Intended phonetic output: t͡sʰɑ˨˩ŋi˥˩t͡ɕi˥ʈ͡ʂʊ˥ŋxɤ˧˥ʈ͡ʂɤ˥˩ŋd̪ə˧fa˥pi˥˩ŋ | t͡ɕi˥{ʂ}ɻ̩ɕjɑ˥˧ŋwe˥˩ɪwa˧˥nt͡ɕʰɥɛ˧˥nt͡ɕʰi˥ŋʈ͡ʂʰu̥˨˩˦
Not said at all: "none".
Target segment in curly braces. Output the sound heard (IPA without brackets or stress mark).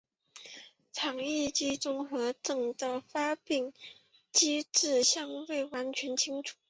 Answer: ʈ͡ʂ